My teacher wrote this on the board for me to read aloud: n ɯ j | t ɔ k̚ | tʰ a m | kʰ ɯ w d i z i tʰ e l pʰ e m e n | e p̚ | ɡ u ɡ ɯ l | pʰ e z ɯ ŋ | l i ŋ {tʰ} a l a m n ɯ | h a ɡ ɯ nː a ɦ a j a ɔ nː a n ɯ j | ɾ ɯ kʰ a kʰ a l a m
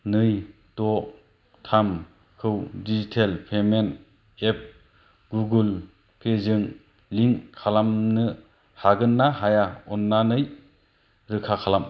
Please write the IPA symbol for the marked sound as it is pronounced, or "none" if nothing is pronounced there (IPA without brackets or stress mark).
kʰ